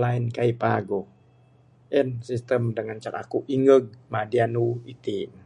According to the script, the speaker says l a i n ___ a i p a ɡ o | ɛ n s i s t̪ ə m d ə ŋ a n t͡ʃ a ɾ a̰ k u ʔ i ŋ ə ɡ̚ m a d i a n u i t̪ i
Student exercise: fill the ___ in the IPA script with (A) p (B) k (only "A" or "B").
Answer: B